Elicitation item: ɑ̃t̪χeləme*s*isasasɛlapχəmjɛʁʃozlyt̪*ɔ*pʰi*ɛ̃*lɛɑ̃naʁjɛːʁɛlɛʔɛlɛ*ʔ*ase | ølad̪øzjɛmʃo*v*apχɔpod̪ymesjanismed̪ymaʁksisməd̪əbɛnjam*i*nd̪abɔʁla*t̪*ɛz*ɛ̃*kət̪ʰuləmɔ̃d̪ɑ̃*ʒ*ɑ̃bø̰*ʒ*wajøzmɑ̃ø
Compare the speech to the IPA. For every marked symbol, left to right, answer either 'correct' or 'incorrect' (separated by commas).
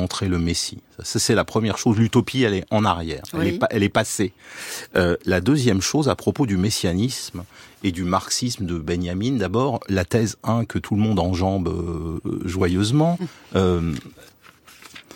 correct, correct, incorrect, incorrect, incorrect, correct, correct, correct, correct, correct